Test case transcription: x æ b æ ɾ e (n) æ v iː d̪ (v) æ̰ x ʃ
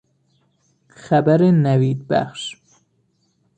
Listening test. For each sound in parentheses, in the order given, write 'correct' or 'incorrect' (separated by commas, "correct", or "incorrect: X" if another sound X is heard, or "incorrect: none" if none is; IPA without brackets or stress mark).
correct, incorrect: b